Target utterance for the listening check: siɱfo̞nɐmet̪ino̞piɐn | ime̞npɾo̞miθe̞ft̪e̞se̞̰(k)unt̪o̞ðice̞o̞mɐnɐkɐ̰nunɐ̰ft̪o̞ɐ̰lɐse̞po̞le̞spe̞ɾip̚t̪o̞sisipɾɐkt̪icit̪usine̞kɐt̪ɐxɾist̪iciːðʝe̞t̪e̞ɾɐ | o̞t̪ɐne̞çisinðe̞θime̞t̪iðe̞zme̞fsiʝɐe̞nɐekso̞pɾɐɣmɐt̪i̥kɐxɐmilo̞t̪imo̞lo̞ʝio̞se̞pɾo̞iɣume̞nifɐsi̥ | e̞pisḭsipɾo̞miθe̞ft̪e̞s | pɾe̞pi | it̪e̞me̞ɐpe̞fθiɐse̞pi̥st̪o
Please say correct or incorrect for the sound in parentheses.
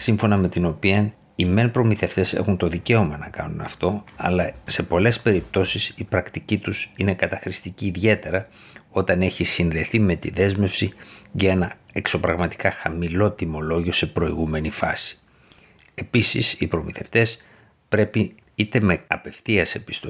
incorrect